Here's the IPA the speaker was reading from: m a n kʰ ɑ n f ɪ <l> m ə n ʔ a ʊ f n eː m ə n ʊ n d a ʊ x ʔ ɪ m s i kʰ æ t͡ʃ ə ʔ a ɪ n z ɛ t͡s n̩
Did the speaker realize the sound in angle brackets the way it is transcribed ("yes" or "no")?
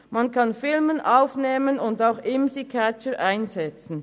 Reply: yes